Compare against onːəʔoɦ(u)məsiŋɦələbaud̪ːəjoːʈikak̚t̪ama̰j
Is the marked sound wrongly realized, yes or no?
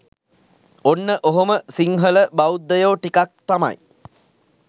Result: yes